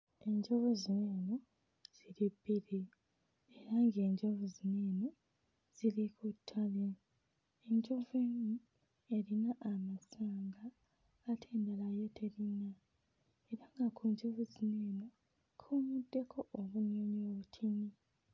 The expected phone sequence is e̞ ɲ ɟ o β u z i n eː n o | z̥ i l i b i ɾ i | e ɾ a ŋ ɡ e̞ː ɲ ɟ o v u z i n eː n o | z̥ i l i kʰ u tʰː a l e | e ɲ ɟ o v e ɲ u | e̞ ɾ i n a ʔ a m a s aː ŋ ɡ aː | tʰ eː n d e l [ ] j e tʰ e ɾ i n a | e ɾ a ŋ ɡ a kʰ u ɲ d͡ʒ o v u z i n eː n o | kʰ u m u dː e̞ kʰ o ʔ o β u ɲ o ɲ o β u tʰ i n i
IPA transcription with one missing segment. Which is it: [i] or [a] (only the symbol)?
a